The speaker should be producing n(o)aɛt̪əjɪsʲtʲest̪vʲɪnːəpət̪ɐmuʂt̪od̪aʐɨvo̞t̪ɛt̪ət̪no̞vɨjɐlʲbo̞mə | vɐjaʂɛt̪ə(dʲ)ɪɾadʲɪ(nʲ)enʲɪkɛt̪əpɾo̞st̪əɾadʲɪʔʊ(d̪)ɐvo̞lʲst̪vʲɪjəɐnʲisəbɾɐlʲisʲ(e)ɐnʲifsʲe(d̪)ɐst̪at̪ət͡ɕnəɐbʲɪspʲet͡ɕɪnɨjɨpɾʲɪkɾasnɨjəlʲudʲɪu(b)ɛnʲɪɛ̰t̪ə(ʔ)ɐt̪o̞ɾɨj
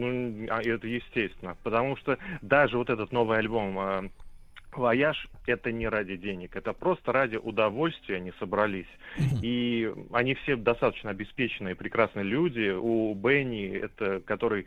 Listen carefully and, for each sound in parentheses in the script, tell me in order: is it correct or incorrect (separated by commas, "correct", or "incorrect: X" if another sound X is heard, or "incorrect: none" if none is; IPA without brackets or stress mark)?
incorrect: u, incorrect: nʲ, incorrect: dʲ, correct, incorrect: i, correct, correct, incorrect: k